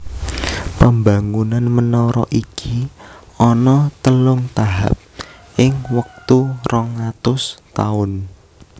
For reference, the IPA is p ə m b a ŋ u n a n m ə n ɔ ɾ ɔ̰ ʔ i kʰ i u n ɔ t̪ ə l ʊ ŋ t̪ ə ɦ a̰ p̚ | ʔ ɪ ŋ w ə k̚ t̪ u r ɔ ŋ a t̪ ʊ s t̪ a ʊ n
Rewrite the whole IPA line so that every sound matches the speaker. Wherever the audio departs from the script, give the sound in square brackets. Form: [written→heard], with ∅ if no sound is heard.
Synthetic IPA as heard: p ə m b a ŋ u n a n m ə n ɔ ɾ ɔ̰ ʔ i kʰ i [u→ɔ] n ɔ t̪ ə l ʊ ŋ t̪ [ə→a] ɦ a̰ p̚ | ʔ ɪ ŋ w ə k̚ t̪ u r ɔ ŋ a t̪ ʊ s t̪ a ʊ n